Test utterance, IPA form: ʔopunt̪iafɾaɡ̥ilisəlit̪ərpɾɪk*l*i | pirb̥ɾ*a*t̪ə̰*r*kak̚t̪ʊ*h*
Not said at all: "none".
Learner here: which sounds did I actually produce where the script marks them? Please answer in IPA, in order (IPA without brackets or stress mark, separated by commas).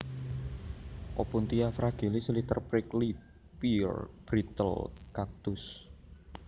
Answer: l, i, l, s